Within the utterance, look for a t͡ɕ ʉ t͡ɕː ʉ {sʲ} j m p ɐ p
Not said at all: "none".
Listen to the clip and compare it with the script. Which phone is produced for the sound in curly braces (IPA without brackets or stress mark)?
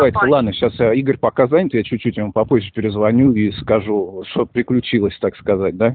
tʲ